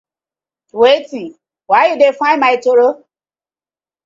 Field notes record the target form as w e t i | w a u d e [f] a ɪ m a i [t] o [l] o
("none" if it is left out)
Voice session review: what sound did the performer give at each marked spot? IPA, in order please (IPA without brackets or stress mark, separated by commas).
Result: f, t, ɾ